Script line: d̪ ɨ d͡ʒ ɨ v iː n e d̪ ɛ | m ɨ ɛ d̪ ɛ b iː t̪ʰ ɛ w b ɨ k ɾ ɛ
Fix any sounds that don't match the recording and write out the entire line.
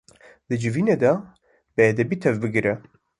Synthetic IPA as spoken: d̪ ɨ d͡ʒ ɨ v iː n e d̪ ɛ | b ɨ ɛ d̪ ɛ b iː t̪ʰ ɛ v b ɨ ɡ ɾ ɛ